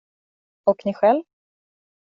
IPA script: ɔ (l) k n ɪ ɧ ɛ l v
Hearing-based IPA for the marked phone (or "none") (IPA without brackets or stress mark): none